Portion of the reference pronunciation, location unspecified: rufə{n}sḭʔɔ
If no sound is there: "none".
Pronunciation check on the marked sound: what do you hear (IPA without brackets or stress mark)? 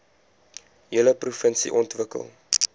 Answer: n